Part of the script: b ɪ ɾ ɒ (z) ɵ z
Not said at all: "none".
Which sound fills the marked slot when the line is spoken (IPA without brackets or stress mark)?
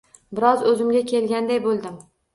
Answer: z